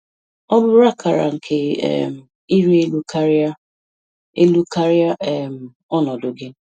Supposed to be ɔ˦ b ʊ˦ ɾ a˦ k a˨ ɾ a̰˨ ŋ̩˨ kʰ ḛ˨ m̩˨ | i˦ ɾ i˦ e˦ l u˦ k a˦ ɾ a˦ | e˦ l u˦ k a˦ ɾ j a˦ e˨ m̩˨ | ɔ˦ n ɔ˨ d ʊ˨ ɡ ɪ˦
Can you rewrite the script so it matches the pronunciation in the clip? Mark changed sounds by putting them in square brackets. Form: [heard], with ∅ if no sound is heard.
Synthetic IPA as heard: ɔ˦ b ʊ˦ ɾ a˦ k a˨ ɾ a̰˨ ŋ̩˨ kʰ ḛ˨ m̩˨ | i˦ ɾ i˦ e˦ l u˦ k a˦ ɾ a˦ | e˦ l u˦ k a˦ ɾ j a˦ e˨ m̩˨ | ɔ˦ n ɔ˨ d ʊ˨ ɡ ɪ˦